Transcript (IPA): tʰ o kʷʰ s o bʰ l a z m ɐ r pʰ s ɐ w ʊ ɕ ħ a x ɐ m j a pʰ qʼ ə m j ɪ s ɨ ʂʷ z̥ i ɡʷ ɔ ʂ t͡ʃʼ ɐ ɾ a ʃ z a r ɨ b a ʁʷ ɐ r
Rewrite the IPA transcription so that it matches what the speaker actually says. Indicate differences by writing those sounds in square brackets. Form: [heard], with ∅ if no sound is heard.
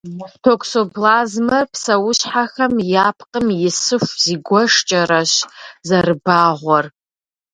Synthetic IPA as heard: tʰ o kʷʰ s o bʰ l a z m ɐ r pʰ s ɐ w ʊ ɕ ħ a x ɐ m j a pʰ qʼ ə m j ɪ s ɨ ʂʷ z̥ i ɡʷ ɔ ʂ t͡ʃʼ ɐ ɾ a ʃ z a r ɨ b a ʁʷ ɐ r